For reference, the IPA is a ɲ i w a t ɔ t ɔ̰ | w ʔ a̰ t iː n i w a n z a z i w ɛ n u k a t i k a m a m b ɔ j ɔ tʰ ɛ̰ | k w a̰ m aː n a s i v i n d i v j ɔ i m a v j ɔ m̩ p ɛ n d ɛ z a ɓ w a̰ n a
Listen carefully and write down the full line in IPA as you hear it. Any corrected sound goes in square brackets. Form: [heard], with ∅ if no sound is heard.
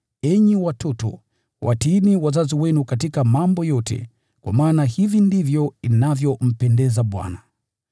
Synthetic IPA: [ɛ] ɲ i w a t ɔ t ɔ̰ | w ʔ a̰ t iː n i w a [∅] z a z i w ɛ n u k a t i k a m a m b ɔ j ɔ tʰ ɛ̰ | k w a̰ m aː n a [h] i v i n d i v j ɔ i [n] a v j ɔ m̩ p ɛ n d ɛ z a ɓ w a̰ n a